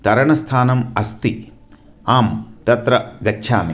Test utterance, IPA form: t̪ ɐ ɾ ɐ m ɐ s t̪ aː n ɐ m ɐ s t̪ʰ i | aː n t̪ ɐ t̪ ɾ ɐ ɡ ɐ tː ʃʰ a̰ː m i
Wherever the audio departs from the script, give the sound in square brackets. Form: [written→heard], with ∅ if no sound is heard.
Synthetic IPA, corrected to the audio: t̪ ɐ ɾ ɐ [m→ɳ] ɐ s [t̪→t̪ʰ] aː n ɐ m ɐ s [t̪ʰ→t̪] i | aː [n→m] t̪ ɐ t̪ ɾ ɐ ɡ ɐ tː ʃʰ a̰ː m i

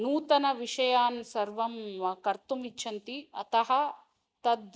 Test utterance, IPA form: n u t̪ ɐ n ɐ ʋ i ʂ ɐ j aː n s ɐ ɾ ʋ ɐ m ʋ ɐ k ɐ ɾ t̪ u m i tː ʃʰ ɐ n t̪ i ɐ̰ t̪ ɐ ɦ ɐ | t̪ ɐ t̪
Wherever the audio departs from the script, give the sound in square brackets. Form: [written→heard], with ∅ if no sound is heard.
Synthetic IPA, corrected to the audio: n [u→uː] t̪ ɐ n ɐ ʋ i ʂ ɐ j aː n s ɐ ɾ ʋ ɐ m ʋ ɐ k ɐ ɾ t̪ u m i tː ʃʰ ɐ n t̪ i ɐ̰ t̪ ɐ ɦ ɐ | t̪ ɐ [t̪→d̪]

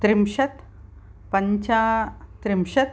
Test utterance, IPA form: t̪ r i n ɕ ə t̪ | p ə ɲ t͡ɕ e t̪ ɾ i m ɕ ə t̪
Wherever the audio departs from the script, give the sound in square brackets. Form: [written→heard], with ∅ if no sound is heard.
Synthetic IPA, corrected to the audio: t̪ [r→ɾ] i [n→m] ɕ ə t̪ | p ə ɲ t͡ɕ [e→a] t̪ ɾ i m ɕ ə t̪

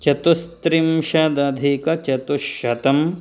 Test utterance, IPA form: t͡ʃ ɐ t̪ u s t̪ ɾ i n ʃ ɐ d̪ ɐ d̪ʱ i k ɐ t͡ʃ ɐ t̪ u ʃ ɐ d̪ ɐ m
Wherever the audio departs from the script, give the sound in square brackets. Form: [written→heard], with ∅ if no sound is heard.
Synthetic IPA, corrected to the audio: t͡ʃ ɐ t̪ u s t̪ ɾ i [n→m] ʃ ɐ d̪ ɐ d̪ʱ i k ɐ t͡ʃ ɐ t̪ u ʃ ɐ [d̪→t̪] ɐ m

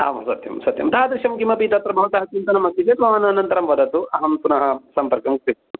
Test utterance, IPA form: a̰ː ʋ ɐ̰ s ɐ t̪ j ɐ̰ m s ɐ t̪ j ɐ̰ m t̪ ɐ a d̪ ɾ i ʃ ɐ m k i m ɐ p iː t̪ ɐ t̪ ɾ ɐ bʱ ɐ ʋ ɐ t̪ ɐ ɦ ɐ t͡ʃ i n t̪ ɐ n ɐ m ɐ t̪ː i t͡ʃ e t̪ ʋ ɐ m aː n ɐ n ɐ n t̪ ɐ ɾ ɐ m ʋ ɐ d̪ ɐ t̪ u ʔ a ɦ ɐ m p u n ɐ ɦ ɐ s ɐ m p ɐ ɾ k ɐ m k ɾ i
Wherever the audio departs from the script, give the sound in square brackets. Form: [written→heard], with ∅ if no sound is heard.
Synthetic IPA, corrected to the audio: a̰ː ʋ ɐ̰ s ɐ t̪ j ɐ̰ m s ɐ t̪ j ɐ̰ m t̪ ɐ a d̪ ɾ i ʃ ɐ m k i m ɐ p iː t̪ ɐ t̪ ɾ ɐ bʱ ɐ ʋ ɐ t̪ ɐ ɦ ɐ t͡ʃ i n t̪ ɐ n ɐ m ɐ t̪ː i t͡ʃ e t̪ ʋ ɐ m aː n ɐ n ɐ n t̪ ɐ ɾ ɐ m ʋ ɐ d̪ ɐ t̪ u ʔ [a→ɐ] ɦ ɐ m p u n ɐ ɦ ɐ s ɐ m p ɐ ɾ k ɐ m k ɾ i

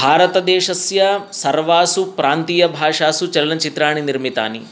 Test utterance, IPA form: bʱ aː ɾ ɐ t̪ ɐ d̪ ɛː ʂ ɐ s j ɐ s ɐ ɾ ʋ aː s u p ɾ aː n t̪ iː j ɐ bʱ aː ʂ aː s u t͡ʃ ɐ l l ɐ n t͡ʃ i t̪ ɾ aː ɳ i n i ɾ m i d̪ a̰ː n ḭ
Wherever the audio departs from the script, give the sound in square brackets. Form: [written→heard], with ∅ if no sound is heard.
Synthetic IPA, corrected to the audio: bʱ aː ɾ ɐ t̪ ɐ d̪ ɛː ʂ ɐ s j ɐ s ɐ ɾ ʋ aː s u p ɾ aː n t̪ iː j ɐ bʱ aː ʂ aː s u t͡ʃ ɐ l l ɐ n t͡ʃ i t̪ ɾ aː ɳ i n i ɾ m i [d̪→t̪] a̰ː n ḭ

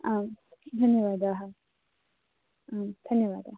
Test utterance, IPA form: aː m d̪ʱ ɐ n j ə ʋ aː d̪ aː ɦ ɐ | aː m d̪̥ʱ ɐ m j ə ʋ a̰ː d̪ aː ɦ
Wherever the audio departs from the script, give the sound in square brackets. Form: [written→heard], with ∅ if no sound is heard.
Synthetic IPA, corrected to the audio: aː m d̪ʱ ɐ n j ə ʋ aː d̪ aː ɦ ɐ | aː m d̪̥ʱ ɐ [m→n] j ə ʋ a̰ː d̪ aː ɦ

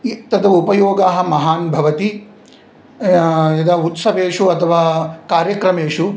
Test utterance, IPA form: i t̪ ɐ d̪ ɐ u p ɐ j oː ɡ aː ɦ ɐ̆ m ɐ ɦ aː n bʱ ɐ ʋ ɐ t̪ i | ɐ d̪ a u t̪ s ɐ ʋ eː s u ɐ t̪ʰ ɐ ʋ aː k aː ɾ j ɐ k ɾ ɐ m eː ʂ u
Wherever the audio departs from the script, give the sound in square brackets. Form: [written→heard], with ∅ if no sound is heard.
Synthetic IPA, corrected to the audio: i t̪ ɐ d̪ ɐ u p ɐ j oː ɡ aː ɦ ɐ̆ m ɐ ɦ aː n bʱ ɐ ʋ ɐ t̪ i | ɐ d̪ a u t̪ s ɐ ʋ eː [s→ʂ] u ɐ t̪ʰ ɐ ʋ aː k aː ɾ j ɐ k ɾ ɐ m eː ʂ u

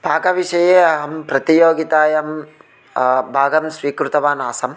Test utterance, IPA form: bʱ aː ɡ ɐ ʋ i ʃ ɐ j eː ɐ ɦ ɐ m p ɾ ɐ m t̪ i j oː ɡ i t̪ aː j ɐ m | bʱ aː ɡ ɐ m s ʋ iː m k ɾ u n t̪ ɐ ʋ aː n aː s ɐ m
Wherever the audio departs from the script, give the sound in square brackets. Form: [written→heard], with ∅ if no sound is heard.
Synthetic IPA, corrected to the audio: bʱ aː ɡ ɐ ʋ i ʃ ɐ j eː ɐ ɦ ɐ m p ɾ ɐ [m→∅] t̪ i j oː ɡ i t̪ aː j ɐ m | bʱ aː ɡ ɐ m s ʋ iː [m→∅] k ɾ u [n→∅] t̪ ɐ ʋ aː n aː s ɐ m

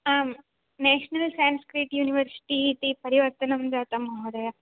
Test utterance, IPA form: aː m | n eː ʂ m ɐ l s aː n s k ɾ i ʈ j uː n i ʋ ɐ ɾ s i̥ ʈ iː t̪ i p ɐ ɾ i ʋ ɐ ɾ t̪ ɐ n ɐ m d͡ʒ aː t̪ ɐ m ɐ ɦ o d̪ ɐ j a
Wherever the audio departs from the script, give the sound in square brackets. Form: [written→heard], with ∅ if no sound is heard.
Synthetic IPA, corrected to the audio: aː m | n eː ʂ [m→n] ɐ l s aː n s k ɾ i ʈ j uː n i ʋ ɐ ɾ s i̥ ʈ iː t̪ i p ɐ ɾ i ʋ ɐ ɾ t̪ ɐ n ɐ m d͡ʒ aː t̪ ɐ m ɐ ɦ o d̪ ɐ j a

